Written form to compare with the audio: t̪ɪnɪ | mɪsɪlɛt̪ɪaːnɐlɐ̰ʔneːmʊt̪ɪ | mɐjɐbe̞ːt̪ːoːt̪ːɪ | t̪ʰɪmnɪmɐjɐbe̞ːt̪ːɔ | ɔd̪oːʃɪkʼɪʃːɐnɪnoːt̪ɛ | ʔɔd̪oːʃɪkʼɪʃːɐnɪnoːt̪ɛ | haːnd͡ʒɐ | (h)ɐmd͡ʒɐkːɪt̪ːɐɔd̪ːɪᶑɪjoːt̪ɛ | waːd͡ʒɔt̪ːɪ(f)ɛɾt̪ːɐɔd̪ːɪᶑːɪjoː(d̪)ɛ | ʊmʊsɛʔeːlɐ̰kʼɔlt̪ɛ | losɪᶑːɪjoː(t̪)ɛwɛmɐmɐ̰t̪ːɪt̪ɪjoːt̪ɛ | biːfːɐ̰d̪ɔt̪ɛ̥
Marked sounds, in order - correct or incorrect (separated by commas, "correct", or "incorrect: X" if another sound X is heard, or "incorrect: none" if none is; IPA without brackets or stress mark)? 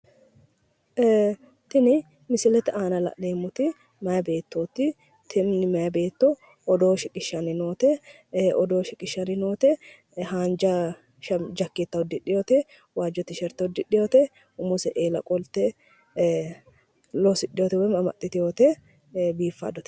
incorrect: ʃ, incorrect: ʃ, incorrect: t̪, correct